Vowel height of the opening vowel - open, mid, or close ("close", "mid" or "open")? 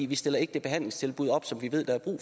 close